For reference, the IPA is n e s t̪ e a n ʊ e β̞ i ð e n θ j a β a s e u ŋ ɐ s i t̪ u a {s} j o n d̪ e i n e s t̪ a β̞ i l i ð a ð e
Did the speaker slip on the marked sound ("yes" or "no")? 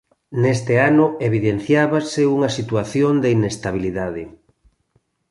yes